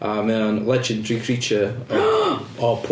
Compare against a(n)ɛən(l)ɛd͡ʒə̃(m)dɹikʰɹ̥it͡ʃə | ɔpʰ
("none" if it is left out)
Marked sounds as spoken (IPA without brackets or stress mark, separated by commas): m, l, n